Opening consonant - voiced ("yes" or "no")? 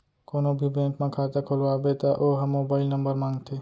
no